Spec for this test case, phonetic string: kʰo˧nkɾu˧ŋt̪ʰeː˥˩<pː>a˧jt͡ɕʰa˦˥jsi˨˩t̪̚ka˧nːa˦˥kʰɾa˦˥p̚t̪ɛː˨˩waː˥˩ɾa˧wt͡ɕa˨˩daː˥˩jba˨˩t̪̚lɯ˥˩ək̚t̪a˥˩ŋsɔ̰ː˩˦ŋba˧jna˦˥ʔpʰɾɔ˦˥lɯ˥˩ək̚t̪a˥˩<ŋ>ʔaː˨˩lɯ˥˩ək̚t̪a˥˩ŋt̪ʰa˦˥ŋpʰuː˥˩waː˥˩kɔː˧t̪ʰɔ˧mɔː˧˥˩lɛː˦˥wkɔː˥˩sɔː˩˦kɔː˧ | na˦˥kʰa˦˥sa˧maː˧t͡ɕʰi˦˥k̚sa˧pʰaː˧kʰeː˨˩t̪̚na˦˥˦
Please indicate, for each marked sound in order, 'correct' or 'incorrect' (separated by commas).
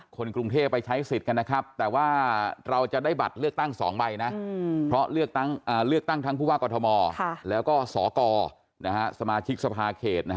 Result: correct, correct